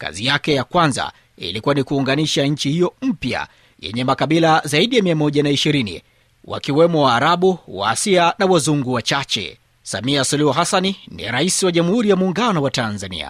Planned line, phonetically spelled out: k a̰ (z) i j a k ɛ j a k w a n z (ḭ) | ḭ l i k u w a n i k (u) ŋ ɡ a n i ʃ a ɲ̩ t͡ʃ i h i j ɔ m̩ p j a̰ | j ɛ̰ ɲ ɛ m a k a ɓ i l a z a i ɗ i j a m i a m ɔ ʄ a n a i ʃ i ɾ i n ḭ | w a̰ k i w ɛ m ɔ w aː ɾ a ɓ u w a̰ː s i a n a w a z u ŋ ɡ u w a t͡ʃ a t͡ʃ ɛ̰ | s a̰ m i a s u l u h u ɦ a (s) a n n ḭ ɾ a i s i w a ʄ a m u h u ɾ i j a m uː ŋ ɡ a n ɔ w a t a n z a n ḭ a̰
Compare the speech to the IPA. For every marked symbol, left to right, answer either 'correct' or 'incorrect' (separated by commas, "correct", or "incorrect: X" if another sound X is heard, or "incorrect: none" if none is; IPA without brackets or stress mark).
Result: correct, incorrect: a̰, incorrect: uː, correct